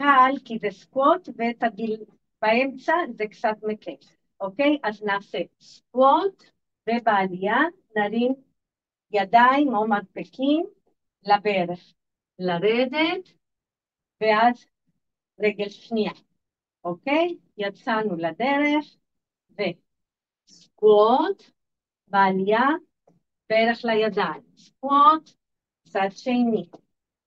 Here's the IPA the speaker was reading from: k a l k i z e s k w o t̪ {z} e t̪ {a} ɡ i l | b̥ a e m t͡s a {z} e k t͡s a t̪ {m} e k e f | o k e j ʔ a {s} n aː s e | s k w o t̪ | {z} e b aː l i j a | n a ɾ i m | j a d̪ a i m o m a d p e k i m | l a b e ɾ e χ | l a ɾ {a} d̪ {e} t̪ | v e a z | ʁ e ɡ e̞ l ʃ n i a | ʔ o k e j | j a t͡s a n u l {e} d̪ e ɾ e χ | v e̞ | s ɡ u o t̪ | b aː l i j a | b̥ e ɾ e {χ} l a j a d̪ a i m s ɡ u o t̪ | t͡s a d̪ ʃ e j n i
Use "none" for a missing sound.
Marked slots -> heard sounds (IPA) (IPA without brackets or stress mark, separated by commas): v, a, z, m, z, v, e, e, a, χ